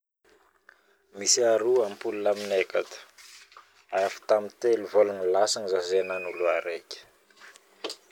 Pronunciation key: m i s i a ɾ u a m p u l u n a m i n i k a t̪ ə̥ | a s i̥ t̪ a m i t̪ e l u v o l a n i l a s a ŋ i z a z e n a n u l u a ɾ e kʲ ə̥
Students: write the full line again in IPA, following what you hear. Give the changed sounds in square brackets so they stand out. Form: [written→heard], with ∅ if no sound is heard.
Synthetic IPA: m i s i a ɾ u a m p u l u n a m i n [i→e] k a t̪ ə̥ | a [s→f] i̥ t̪ a m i t̪ e l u v o l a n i l a s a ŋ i z a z e n a n u l u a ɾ e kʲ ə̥